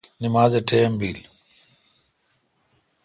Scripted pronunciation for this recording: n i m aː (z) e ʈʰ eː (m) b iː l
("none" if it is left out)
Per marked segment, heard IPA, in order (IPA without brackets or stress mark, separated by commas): z, m